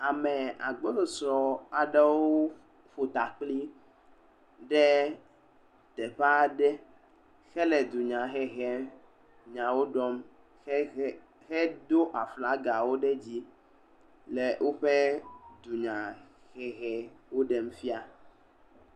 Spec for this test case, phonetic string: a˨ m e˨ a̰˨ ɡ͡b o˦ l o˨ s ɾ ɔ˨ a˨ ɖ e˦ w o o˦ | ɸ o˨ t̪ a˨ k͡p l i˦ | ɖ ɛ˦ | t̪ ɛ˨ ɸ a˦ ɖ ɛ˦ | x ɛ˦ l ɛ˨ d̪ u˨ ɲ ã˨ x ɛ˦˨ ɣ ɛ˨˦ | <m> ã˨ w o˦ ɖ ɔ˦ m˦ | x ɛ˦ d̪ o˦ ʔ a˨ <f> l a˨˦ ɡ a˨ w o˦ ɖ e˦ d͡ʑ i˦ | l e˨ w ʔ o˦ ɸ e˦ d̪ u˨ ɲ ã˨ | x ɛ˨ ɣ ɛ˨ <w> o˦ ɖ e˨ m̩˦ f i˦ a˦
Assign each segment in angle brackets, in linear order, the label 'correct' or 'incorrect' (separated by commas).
incorrect, correct, correct